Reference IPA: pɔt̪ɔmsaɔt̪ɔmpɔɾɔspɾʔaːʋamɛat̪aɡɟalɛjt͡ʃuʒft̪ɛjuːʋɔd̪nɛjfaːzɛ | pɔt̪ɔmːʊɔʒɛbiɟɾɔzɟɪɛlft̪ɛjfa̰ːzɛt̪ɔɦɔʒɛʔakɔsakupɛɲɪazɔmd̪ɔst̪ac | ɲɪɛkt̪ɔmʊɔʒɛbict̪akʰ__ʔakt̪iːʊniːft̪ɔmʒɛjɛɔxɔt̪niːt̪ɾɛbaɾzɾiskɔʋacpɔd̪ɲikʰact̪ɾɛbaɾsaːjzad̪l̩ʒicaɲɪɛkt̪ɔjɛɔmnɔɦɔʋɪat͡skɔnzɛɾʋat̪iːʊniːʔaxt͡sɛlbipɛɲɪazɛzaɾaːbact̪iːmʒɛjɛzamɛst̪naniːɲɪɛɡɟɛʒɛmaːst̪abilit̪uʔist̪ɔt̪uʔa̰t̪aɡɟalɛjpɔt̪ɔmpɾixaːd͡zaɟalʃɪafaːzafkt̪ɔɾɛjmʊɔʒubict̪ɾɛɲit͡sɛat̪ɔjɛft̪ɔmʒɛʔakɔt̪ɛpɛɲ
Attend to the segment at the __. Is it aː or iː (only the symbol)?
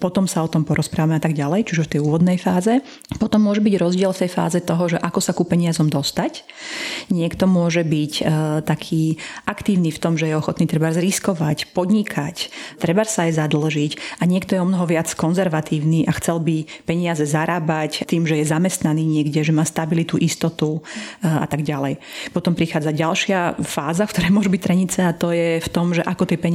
iː